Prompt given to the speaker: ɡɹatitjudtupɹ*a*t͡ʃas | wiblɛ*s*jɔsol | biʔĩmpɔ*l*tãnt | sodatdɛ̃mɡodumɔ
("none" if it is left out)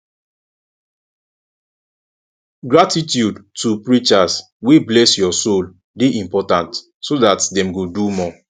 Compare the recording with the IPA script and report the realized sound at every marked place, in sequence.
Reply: i, s, none

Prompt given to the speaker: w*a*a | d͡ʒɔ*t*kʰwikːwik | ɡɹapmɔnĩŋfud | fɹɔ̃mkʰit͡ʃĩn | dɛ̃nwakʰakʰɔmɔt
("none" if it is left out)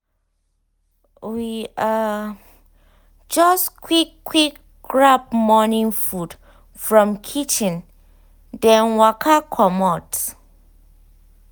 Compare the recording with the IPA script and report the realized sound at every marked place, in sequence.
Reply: i, s

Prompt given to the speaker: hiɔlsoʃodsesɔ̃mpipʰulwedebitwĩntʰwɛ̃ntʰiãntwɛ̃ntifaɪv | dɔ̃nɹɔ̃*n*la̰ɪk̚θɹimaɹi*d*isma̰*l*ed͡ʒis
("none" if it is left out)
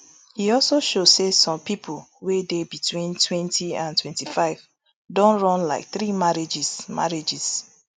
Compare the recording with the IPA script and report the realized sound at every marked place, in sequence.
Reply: n, d͡ʒ, ɹ

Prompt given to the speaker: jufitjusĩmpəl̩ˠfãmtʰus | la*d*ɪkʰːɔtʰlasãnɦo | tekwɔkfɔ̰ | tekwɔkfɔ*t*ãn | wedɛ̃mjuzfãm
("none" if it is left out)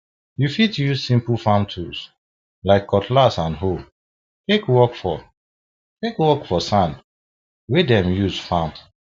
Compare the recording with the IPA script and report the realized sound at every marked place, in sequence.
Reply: none, s

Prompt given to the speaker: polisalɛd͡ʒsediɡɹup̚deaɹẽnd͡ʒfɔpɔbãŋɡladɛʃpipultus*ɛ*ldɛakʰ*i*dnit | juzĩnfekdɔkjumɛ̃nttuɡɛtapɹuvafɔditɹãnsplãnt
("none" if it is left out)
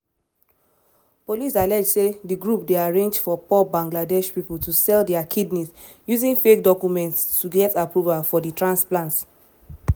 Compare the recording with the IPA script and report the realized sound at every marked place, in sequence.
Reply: ɛ, i

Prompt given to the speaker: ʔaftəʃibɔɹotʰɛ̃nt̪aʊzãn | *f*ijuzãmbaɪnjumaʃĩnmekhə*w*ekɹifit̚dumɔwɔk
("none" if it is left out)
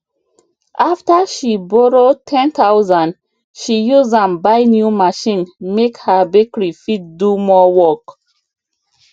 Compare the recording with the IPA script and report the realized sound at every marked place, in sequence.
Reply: ʃ, b

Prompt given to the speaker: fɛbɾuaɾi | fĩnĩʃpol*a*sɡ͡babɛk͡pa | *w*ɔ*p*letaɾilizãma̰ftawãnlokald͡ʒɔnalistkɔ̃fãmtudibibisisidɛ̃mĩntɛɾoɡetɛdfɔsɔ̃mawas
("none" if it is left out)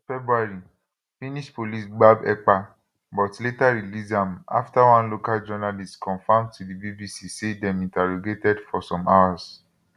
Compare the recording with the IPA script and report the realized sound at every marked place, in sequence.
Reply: i, b, t

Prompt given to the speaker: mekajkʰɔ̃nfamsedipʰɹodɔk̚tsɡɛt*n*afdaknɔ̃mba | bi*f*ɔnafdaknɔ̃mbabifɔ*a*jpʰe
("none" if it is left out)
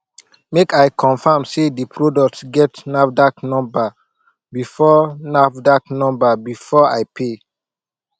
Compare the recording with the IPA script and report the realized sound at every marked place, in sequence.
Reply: n, f, a

